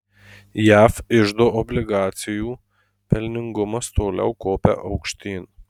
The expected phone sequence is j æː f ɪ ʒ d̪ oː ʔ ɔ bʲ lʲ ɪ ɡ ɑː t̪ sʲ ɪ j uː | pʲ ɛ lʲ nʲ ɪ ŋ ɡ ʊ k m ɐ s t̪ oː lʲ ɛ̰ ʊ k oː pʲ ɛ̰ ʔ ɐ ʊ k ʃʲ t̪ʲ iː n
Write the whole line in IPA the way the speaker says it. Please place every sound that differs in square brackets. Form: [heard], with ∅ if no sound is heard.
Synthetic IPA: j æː f ɪ ʒ d̪ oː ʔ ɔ bʲ lʲ ɪ ɡ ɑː t̪ sʲ ɪ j uː | pʲ ɛ lʲ nʲ ɪ ŋ ɡ ʊ [∅] m ɐ s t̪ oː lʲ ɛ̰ ʊ k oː pʲ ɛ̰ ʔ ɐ ʊ k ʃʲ t̪ʲ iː n